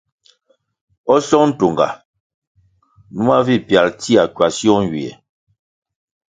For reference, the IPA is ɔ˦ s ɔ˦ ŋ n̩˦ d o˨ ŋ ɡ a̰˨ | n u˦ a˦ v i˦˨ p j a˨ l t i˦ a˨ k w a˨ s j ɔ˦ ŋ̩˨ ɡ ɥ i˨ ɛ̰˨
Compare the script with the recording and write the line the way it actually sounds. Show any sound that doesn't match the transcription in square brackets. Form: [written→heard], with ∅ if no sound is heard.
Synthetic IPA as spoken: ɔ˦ s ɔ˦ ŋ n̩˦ [d→t] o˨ ŋ ɡ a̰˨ | n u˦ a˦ v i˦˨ p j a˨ l t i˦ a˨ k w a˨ s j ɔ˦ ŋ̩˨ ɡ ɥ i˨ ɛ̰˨

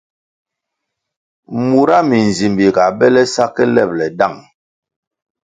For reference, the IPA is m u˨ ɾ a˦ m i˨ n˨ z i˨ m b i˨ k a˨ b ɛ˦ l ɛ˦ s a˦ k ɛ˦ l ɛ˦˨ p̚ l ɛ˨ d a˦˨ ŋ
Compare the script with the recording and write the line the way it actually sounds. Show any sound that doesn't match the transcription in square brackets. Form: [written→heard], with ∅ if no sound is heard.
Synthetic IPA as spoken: m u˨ ɾ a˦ m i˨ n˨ z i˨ m b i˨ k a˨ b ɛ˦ l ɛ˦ s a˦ k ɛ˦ l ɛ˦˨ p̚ l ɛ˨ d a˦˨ ŋ

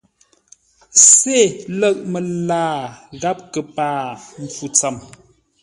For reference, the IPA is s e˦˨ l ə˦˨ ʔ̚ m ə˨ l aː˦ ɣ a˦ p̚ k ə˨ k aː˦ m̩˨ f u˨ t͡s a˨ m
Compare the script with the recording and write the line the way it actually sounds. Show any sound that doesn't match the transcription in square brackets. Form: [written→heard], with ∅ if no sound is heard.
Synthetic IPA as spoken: s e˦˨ l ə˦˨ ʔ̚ m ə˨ l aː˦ ɣ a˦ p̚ k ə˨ [k→p] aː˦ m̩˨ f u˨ t͡s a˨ m

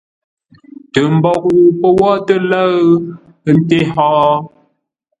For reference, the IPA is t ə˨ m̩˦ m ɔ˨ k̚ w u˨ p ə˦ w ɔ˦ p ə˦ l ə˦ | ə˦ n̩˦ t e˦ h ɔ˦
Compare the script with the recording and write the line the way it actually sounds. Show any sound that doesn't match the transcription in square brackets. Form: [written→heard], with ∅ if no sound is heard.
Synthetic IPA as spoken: t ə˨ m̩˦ [m→b] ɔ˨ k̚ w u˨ p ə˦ w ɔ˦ [p→t] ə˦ l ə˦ | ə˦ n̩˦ t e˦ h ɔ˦

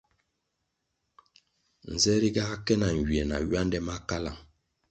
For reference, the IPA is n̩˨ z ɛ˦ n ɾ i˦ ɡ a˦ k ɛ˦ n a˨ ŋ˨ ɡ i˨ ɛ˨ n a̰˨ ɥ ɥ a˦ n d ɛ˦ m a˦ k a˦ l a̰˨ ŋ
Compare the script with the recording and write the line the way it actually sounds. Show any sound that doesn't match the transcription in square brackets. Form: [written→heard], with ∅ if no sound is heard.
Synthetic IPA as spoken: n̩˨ z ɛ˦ [n→∅] ɾ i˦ ɡ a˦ k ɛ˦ n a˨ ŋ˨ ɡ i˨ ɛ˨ n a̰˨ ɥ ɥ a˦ n d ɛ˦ m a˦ k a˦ l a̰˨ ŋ

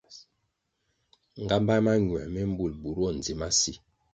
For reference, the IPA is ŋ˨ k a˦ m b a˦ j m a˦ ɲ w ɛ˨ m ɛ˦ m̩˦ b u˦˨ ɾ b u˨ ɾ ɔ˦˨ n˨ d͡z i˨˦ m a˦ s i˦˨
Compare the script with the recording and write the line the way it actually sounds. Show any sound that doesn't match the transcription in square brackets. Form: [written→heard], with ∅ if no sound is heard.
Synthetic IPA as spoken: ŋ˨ [k→ɡ] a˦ m b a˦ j m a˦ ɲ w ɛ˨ m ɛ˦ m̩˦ b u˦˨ [ɾ→l] b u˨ ɾ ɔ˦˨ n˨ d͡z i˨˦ m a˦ s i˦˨

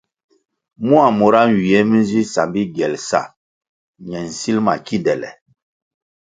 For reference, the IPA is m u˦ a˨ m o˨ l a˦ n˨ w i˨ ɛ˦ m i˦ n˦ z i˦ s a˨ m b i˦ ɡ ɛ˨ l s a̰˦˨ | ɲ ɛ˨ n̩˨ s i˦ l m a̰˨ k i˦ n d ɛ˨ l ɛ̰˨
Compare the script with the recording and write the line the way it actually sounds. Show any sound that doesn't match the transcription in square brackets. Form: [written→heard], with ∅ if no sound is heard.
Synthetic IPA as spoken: m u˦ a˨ m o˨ [l→ɾ] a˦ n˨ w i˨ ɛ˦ m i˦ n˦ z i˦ s a˨ m b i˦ ɡ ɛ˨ l s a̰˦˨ | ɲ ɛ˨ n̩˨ s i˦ l m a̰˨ k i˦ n d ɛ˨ l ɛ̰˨

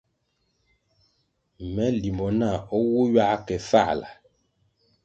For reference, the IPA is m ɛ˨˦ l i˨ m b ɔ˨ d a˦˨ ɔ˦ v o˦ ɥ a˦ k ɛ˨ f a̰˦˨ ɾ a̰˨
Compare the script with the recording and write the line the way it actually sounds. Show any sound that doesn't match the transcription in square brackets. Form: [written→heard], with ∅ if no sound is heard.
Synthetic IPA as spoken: m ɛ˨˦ l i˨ m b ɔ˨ [d→n] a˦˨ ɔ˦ [v→w] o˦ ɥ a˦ k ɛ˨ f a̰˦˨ [ɾ→l] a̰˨

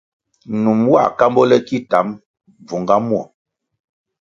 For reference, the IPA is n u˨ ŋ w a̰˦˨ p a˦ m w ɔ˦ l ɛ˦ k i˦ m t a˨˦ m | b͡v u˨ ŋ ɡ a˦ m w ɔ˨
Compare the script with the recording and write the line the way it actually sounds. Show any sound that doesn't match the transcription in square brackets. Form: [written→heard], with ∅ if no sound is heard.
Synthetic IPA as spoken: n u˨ [ŋ→m] w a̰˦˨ [p→k] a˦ m [w→b] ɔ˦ l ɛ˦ k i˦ [m→∅] t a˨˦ m | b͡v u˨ ŋ ɡ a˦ m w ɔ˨

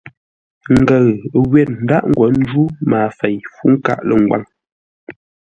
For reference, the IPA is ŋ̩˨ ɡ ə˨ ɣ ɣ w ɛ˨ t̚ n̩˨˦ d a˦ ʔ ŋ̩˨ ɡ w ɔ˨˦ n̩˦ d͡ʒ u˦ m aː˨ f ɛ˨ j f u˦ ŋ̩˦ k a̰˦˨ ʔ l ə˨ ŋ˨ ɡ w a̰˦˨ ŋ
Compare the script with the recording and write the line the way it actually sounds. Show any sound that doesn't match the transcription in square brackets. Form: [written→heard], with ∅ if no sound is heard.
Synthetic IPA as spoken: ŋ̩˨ ɡ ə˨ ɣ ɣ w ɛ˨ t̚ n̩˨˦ d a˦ ʔ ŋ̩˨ ɡ w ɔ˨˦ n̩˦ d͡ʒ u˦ m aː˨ f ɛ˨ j f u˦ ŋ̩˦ k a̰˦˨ ʔ l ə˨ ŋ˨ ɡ w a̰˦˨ ŋ

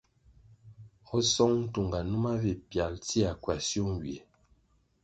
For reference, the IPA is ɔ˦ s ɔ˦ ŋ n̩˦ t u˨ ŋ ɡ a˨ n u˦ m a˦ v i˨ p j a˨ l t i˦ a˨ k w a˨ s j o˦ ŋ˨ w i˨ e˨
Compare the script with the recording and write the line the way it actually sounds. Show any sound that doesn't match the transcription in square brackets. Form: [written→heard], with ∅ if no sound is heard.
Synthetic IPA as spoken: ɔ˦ s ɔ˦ ŋ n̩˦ t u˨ ŋ ɡ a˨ n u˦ m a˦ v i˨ p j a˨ l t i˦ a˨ k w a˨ s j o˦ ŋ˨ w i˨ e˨

